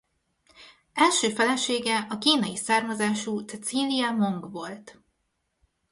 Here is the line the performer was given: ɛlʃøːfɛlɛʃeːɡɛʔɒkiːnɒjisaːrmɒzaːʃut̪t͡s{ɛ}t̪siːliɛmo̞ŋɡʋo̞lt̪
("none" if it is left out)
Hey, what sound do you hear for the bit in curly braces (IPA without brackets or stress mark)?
ɛ